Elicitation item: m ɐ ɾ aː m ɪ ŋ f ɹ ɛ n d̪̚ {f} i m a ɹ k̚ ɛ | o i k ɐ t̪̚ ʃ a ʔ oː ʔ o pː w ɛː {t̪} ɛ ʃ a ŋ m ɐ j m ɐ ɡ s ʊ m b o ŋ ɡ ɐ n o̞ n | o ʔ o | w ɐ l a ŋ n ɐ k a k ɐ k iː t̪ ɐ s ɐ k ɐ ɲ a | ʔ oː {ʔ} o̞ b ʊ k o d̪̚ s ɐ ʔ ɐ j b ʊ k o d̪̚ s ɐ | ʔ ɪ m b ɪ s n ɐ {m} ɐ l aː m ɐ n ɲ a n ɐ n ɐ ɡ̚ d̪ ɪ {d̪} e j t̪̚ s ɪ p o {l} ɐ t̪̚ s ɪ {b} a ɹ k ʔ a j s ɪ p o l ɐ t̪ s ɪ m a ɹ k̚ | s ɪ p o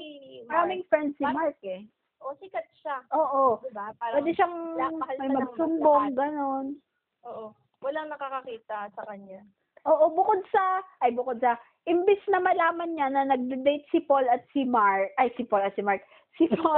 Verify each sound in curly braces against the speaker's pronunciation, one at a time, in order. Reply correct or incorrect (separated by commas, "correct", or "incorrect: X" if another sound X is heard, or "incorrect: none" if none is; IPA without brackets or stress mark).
incorrect: s, incorrect: d̪, correct, correct, correct, correct, incorrect: m